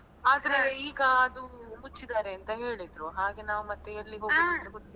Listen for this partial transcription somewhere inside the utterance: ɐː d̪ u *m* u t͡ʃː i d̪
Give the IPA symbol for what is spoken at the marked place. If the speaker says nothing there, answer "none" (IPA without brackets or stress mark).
m